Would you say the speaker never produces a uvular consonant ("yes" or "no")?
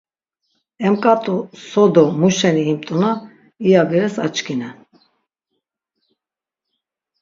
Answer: yes